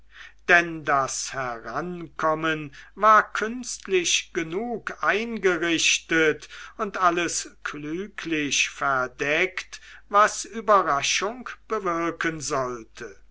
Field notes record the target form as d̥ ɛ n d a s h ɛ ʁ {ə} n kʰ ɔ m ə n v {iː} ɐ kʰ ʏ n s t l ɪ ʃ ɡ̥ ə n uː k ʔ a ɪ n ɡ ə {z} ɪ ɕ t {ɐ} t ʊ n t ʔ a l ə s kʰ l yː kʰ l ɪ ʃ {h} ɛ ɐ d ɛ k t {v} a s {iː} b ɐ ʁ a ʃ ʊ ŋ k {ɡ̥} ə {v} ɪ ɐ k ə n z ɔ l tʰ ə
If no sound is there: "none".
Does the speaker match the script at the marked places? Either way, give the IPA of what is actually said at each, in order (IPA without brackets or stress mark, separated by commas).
a, aː, ʁ, ə, f, v, yː, b̥, v